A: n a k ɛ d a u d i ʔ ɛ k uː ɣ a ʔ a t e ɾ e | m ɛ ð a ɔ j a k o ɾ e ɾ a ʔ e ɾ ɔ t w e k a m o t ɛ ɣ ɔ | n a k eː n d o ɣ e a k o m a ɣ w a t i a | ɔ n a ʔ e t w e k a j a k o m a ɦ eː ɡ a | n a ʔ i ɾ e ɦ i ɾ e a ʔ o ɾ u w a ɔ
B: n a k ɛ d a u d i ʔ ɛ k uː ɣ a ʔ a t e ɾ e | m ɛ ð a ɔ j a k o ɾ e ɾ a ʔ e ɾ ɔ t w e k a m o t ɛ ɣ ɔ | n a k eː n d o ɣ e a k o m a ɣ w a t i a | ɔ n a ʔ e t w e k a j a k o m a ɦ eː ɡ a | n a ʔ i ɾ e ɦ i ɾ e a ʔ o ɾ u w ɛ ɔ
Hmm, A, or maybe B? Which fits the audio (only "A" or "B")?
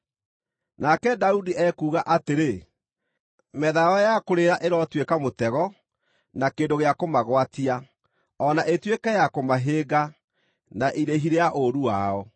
A